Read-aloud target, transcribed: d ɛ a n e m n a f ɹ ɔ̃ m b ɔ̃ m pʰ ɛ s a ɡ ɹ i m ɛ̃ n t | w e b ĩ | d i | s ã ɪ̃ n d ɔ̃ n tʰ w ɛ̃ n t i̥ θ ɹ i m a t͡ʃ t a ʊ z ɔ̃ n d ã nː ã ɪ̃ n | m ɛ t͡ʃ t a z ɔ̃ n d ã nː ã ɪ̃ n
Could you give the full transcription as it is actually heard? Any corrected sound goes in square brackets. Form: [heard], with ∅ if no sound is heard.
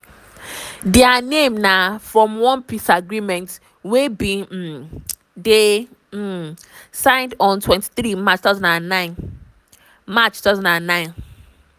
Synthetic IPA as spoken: d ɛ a n e m n a f ɹ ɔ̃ m [w] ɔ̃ [n] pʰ [i] s a ɡ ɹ i m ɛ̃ n t | w e b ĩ | d [e] | s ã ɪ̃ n d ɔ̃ n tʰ w ɛ̃ n t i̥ θ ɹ i m a t͡ʃ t a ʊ z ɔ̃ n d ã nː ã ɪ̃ n | m [a] t͡ʃ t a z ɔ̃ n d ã nː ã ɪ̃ n